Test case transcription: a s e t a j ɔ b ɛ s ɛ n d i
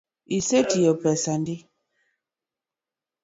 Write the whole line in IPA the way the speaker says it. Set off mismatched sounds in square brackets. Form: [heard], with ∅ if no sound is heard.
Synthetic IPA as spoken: [i] s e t [i] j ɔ [p] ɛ s [a] n d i